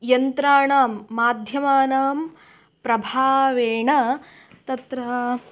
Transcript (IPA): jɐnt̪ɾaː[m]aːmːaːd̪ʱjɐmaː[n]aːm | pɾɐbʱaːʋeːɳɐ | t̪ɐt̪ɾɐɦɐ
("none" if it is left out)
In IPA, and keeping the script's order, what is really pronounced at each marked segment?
ɳ, n

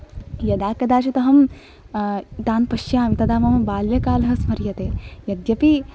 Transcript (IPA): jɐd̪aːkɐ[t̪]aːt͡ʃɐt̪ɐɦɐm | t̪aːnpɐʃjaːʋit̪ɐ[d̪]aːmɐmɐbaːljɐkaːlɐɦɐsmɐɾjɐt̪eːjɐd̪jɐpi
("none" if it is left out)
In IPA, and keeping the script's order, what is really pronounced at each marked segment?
d̪, d̪

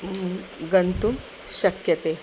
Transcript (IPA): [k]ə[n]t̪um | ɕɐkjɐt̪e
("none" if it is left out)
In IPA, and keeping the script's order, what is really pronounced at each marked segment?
ɡ, n

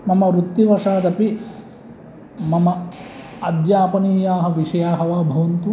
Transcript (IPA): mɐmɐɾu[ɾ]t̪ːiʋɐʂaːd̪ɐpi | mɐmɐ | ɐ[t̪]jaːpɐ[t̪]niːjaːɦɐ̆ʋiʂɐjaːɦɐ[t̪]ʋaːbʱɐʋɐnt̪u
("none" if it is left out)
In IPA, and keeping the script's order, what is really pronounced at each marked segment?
none, d̪, none, none

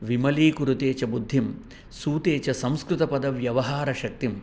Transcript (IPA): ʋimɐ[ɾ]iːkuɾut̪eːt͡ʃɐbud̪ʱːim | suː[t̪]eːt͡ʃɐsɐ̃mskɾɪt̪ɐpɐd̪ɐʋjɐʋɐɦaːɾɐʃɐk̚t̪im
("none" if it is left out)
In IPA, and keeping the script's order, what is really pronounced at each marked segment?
l, t̪

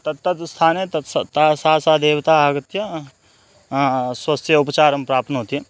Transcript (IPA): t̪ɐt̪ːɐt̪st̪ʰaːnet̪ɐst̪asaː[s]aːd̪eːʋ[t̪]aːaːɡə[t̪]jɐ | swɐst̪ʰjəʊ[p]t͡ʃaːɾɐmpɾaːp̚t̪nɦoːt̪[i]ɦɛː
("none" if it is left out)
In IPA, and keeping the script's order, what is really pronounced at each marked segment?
s, t̪, t̪, p, i

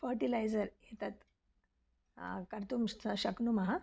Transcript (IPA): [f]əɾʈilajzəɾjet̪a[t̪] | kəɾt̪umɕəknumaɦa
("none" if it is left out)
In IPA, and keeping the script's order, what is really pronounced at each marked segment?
f, t̪

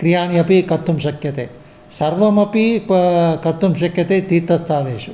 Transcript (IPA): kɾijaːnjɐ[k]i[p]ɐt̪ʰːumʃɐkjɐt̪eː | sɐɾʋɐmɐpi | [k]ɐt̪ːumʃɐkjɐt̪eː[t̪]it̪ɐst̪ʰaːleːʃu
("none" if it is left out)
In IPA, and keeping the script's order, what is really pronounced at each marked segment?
p, k, k, t̪

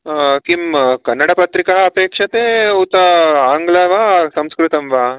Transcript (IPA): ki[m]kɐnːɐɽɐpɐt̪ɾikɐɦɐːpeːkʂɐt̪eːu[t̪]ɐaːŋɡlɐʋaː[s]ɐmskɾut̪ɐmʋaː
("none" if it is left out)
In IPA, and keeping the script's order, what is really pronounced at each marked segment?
m, t̪, s

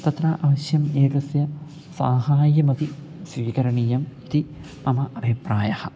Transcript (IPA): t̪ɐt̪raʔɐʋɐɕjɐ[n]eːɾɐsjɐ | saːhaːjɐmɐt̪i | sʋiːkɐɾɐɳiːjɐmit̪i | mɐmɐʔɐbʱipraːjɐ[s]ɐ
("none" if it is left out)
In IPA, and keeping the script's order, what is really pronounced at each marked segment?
m, h

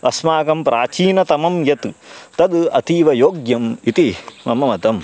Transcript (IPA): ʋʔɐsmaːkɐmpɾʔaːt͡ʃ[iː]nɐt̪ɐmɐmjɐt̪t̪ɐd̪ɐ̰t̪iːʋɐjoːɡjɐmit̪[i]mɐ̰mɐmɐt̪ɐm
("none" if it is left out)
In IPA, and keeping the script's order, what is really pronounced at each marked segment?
iː, i

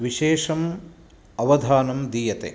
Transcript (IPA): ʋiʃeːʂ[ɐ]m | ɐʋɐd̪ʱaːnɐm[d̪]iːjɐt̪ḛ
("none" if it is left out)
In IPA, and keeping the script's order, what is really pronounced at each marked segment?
ɐ, d̪

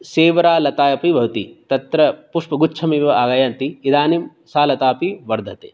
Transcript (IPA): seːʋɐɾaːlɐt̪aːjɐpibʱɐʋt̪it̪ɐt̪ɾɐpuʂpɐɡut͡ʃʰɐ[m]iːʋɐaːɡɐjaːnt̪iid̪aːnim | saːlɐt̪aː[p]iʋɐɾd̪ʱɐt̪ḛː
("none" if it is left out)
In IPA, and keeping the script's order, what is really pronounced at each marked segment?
m, p

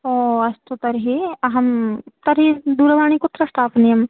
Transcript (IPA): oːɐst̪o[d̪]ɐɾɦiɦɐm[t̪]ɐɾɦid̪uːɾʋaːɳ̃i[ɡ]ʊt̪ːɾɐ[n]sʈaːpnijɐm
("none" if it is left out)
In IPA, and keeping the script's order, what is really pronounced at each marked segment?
t̪, t̪, k, none

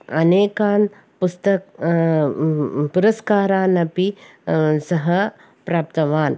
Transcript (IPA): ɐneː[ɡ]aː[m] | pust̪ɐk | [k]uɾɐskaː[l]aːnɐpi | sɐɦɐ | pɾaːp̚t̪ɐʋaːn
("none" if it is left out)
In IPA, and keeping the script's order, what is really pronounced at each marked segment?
k, n, p, ɾ

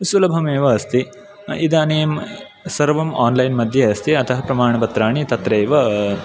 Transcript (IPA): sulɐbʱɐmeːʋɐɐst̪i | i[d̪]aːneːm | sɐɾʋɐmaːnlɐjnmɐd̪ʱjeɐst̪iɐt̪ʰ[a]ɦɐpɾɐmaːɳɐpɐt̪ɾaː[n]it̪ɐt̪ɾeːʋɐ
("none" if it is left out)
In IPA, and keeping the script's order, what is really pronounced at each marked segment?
d̪, ɐ, ɳ

